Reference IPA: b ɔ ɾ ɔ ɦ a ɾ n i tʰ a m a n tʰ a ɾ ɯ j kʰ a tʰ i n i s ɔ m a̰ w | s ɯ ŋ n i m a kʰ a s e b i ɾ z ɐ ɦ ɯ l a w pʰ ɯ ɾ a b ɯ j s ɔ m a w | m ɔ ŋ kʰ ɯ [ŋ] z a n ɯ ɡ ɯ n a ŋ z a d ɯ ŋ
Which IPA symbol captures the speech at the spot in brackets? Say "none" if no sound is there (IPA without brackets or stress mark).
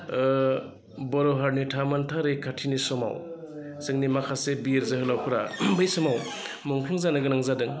ŋ